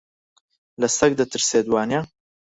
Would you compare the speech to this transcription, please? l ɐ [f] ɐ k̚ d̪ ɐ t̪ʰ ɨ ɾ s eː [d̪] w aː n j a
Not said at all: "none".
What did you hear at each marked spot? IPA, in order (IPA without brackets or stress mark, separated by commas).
s, d̪